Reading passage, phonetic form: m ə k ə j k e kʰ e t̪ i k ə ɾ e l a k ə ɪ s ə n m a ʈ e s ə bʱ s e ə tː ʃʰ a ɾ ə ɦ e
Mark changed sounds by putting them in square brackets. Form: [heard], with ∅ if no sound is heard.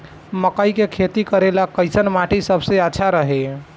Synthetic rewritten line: m ə k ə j k e kʰ e t̪ i k ə ɾ e l a k ə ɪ s ə n m a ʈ [i] s ə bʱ s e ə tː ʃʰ a ɾ ə ɦ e